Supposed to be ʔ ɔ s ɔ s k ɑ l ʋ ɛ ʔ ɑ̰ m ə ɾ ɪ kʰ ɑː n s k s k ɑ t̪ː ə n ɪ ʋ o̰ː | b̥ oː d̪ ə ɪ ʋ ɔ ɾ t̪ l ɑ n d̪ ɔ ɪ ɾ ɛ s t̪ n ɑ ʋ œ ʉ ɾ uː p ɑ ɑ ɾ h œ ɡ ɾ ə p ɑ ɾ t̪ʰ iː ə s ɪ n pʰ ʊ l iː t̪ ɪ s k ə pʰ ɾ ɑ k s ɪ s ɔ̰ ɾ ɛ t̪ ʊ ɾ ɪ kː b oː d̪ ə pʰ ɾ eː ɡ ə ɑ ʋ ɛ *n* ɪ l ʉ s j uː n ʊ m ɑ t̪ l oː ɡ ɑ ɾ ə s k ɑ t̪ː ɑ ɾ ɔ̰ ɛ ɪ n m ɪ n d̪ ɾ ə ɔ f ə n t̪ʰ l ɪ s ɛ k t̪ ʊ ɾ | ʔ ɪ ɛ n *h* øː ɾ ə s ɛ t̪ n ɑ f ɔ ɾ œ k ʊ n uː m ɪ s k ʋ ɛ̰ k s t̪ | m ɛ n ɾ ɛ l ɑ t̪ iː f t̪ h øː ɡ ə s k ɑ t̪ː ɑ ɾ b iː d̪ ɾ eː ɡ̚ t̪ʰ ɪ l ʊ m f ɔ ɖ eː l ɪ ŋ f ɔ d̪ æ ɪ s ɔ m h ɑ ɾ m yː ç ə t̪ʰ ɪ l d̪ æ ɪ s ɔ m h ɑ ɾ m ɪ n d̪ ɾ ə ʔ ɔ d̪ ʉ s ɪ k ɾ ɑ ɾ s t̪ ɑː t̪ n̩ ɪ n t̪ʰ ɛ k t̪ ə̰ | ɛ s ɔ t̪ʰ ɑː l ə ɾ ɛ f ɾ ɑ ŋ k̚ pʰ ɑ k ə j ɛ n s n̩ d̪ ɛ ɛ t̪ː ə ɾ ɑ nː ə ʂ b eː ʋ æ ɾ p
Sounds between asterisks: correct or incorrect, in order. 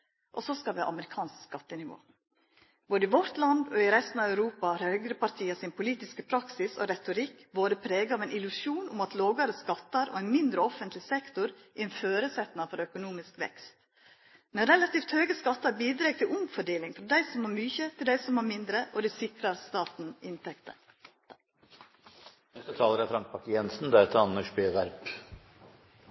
correct, incorrect: f

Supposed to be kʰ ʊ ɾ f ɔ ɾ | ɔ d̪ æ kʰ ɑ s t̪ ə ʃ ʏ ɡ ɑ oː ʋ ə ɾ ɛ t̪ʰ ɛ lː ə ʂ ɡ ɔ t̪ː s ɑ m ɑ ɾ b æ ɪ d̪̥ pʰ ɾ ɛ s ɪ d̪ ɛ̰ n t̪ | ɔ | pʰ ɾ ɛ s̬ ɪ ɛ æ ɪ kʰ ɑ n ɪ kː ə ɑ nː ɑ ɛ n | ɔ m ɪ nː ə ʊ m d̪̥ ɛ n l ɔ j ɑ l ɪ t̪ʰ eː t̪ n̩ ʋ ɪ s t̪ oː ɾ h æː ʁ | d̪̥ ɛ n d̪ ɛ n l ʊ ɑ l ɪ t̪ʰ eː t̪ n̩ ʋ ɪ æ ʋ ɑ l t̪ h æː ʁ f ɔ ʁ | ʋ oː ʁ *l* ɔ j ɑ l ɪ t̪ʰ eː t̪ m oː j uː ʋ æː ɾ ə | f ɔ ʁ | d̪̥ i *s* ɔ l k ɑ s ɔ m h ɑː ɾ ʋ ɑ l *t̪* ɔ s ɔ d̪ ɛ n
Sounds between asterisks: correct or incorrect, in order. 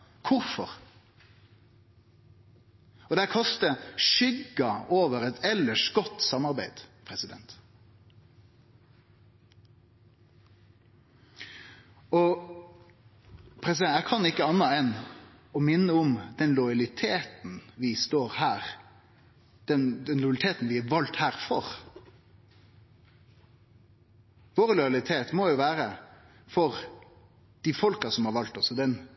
correct, incorrect: f, correct

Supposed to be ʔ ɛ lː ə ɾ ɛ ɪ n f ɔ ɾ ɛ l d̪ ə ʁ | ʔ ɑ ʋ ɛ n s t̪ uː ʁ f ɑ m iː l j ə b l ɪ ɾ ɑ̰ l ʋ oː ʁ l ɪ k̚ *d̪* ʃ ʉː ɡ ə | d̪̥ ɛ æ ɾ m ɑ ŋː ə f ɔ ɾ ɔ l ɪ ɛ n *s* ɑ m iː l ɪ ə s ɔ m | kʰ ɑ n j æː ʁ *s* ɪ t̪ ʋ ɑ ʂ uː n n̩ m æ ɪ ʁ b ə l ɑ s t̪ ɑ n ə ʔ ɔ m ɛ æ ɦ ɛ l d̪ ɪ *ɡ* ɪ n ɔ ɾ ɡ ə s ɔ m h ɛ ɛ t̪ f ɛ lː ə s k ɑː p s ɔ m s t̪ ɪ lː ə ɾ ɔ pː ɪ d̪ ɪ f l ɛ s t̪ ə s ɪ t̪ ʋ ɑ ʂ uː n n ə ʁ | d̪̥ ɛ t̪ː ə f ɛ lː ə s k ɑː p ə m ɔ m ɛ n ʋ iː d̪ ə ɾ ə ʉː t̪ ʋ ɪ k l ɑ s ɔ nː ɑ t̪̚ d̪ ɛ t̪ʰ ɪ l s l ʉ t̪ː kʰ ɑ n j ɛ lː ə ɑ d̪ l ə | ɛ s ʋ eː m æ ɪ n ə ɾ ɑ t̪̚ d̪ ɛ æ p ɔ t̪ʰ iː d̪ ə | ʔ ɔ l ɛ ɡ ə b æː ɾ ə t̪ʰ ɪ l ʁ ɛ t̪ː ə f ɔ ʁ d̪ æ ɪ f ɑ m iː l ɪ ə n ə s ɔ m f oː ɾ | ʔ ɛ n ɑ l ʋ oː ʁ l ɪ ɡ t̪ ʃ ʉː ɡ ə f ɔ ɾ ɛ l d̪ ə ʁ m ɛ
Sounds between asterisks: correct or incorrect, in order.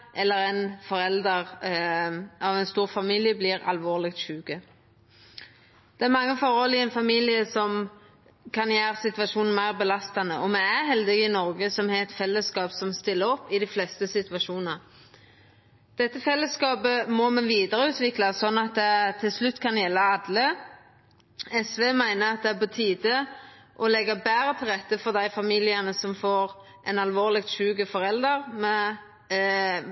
incorrect: t̪, incorrect: f, correct, correct

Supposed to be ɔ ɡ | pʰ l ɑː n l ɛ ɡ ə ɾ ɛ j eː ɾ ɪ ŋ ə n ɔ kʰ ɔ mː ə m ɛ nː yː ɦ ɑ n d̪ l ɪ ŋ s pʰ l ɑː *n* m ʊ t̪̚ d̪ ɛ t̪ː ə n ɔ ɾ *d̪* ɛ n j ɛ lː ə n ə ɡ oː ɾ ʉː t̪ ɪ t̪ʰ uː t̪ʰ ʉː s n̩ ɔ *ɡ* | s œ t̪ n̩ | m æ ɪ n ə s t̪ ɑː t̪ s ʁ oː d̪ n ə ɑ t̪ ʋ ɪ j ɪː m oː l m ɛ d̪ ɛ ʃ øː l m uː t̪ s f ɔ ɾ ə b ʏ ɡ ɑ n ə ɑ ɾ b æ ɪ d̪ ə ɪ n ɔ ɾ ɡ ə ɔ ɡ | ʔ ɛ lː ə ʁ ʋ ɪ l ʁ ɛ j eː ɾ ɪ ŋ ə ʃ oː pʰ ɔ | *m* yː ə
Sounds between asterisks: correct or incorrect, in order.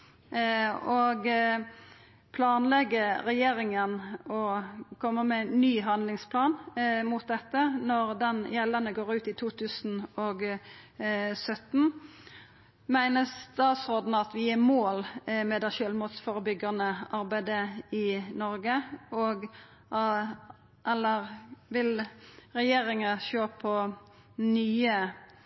correct, correct, correct, incorrect: n

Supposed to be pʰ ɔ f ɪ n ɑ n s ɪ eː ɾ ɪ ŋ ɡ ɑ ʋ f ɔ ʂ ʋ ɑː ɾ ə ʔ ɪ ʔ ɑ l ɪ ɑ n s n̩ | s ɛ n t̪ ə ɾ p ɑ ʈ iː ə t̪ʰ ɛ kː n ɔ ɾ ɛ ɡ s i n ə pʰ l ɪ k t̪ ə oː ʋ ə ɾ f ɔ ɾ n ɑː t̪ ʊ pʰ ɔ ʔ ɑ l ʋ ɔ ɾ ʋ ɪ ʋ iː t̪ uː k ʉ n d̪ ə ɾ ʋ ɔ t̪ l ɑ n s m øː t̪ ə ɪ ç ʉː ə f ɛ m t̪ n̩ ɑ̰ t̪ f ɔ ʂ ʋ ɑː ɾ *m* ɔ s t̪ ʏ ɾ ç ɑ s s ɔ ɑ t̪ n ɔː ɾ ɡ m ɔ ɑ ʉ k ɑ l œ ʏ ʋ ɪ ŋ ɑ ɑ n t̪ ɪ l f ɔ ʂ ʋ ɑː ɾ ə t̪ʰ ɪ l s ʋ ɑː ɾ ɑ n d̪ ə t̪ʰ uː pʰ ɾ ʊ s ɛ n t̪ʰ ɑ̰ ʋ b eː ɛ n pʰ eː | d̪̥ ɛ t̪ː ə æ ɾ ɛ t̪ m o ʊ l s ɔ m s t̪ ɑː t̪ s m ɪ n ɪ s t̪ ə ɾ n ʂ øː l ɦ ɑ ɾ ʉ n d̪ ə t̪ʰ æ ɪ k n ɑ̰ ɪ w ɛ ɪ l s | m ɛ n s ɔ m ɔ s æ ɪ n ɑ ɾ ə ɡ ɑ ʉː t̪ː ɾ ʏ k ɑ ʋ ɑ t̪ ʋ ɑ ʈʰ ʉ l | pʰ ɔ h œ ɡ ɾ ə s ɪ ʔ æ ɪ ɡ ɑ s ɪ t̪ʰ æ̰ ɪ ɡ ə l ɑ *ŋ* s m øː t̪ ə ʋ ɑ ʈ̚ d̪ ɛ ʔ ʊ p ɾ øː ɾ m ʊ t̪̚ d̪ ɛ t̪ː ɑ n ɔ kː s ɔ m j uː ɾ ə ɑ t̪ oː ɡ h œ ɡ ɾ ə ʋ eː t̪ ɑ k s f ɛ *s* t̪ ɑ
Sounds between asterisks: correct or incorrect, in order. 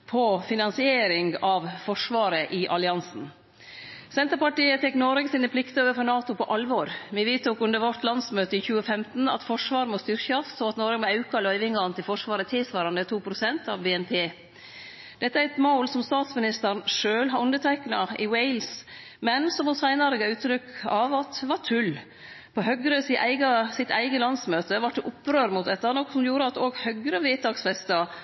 correct, incorrect: n, correct

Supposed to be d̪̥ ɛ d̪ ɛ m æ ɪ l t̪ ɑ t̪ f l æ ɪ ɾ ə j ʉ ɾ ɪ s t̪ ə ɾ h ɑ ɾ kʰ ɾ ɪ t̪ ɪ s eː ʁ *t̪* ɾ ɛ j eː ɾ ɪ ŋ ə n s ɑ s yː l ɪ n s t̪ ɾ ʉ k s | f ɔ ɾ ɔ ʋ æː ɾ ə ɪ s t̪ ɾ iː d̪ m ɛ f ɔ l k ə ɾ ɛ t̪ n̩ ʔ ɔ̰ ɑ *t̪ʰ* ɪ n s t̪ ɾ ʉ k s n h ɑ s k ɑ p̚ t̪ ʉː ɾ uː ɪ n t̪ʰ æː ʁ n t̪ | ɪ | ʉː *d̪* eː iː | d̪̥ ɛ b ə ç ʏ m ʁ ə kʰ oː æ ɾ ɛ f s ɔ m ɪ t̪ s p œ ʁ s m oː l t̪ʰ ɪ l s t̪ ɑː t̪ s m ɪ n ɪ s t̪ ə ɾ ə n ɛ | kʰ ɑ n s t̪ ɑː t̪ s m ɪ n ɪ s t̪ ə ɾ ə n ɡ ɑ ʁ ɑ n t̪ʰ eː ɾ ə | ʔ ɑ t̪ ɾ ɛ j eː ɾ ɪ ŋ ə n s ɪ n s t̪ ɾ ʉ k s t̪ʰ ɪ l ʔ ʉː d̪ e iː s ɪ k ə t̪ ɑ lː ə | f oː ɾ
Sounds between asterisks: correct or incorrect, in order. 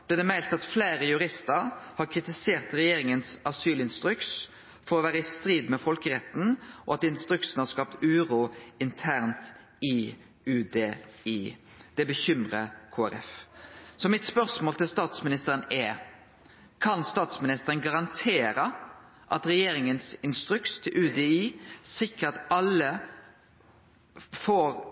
correct, incorrect: t̪, correct

